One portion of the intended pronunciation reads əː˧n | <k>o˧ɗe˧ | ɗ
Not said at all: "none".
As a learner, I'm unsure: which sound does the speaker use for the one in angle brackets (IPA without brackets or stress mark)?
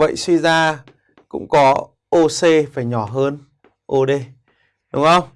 ʔ